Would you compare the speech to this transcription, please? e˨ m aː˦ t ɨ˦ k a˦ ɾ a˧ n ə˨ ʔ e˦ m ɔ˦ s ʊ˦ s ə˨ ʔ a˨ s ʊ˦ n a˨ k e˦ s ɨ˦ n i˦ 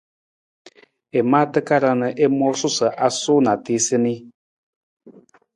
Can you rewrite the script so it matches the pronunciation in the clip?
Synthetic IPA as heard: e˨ m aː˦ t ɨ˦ k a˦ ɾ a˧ n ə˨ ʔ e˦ m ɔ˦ s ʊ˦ s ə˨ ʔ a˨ s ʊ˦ n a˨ t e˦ s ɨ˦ n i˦